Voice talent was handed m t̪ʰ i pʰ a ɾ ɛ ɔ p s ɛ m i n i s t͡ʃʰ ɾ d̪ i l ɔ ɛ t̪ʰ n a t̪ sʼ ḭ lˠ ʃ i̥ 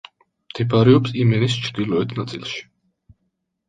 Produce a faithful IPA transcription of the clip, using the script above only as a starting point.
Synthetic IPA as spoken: m t̪ʰ ɛ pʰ a ɾ ɛ ɔ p s i m ɛ n i s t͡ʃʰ ɾ d̪ i l ɔ ɛ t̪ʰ n a t̪ sʼ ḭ lˠ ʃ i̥